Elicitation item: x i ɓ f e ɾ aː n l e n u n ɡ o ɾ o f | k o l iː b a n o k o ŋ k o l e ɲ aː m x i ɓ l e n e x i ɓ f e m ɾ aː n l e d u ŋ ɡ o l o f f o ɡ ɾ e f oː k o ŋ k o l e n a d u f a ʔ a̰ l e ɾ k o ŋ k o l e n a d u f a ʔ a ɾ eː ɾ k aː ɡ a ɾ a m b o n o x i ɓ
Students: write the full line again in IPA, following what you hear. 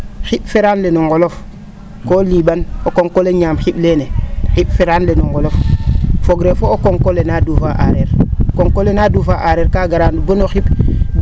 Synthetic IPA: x i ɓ f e ɾ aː n l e n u ŋ ɡ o l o f | k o l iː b a n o k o ŋ k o l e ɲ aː m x i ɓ l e n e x i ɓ f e ɾ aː n l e n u ŋ ɡ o l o f f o ɡ ɾ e f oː k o ŋ k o l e n a d u f a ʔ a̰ ɾ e ɾ k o ŋ k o l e n a d u f a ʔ a ɾ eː ɾ k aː ɡ a ɾ a n b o n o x i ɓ